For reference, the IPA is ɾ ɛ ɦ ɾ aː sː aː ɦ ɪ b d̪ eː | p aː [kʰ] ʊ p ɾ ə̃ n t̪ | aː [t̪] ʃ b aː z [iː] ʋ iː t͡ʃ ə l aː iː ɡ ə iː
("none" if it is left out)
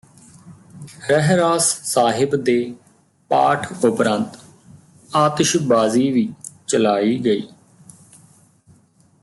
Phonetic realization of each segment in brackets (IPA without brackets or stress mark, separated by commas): ʈʰ, t̪, iː